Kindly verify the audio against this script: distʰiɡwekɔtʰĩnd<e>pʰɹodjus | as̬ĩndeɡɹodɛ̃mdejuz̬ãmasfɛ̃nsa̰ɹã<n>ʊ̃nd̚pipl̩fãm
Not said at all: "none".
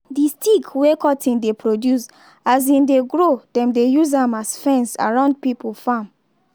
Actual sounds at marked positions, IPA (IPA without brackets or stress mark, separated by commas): e, none